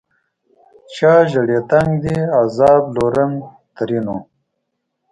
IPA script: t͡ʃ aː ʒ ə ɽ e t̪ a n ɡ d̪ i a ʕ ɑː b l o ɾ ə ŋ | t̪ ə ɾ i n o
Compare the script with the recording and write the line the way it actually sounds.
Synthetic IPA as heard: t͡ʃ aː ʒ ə ɽ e t̪ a ŋ ɡ d̪ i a z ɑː b l o ɾ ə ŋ | t̪ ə ɾ i n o